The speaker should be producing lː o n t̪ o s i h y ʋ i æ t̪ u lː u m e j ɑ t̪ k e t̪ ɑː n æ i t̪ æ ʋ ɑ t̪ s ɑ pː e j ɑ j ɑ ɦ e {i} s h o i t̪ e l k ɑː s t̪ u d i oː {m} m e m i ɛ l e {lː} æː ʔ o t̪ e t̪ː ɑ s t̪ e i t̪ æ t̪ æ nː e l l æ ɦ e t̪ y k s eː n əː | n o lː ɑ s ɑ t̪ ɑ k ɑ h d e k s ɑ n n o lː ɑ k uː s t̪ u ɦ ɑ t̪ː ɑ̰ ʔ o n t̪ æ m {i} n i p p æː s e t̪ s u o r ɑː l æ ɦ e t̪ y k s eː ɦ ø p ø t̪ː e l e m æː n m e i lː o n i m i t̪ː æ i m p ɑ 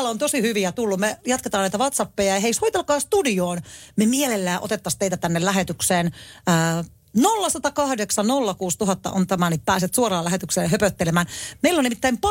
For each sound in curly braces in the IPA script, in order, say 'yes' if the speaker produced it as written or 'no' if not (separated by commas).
yes, no, yes, no